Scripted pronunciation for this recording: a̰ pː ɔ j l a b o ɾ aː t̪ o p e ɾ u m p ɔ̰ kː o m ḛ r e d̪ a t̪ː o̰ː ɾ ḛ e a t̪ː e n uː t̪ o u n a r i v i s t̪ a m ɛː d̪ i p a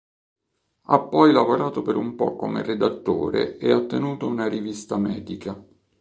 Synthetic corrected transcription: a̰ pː ɔ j l a v o ɾ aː t̪ o p e ɾ u m p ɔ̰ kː o m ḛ r e d̪ a t̪ː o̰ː ɾ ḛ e a t̪ː e n uː t̪ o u n a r i v i s t̪ a m ɛː d̪ i k a